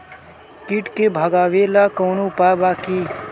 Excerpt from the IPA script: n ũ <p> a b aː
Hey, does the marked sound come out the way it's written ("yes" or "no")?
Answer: yes